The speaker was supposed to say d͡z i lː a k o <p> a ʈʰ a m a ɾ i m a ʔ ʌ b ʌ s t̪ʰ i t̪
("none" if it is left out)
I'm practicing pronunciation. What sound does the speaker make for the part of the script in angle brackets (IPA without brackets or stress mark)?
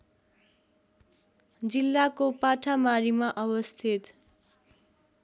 p